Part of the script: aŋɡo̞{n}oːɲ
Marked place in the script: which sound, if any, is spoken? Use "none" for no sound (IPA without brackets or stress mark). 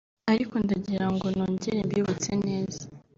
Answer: n